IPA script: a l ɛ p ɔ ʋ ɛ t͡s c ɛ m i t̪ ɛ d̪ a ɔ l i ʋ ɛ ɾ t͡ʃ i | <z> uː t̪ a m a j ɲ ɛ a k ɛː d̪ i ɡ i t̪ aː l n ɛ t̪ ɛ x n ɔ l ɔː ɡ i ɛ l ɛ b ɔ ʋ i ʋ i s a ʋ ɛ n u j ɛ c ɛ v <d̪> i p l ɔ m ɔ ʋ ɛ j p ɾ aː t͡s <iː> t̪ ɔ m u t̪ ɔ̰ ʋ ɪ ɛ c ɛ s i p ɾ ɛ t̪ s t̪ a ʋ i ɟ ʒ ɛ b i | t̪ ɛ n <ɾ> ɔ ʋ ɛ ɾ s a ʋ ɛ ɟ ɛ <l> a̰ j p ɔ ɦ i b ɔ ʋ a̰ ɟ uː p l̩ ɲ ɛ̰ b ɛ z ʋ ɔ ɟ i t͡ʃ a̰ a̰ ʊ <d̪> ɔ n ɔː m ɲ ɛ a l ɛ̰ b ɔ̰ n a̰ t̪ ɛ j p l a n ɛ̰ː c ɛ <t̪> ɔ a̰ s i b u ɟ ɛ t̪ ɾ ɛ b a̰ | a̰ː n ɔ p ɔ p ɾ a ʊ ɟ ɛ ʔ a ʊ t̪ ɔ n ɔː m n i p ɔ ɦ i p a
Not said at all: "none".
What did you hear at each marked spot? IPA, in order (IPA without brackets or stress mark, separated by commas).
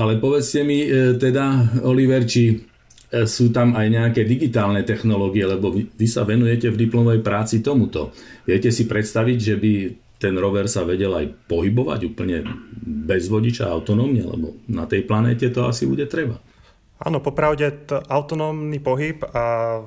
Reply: s, d̪, i, ɾ, l, t̪, t̪